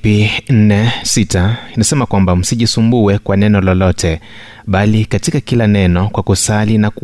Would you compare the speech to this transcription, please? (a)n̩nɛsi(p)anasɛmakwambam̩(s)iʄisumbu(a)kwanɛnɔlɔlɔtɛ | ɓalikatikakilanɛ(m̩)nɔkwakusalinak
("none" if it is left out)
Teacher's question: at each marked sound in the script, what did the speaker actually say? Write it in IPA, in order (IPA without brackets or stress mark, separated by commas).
i, t, s, ɛ, none